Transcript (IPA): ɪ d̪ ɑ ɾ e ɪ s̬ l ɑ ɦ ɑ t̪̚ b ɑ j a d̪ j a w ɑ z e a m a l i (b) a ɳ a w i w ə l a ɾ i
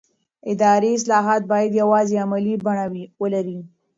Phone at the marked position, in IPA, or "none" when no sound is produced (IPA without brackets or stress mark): b